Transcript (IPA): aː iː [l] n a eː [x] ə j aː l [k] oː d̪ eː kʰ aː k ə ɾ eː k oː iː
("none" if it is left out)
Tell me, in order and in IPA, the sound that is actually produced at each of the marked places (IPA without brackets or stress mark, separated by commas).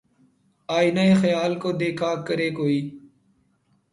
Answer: none, x, k